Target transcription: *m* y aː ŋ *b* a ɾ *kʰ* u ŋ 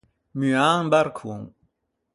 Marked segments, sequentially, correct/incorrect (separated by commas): correct, correct, correct